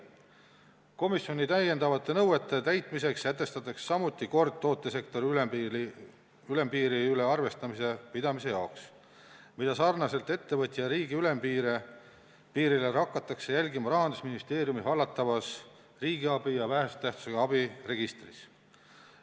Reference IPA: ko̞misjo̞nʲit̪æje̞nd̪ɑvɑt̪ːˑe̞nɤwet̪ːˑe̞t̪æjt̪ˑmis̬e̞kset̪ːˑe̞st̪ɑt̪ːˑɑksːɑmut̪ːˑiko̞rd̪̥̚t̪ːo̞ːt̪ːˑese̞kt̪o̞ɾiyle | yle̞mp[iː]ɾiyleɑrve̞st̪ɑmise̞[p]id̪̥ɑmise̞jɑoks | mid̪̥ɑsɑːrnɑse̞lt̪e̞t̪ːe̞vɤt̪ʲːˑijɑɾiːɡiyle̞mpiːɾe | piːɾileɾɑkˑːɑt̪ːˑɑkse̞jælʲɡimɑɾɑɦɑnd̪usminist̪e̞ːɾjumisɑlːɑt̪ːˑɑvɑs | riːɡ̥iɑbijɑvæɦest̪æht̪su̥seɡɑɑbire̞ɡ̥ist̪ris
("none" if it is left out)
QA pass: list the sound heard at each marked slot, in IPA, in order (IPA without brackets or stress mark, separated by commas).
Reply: iː, p